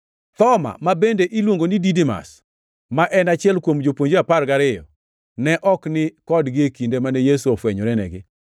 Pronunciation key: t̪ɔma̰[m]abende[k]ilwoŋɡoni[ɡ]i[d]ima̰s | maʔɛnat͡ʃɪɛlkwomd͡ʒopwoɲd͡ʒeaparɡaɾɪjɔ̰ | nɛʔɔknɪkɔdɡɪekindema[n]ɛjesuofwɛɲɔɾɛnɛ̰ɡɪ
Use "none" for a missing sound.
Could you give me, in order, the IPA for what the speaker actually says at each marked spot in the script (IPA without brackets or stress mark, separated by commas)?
m, ʔ, d, d, n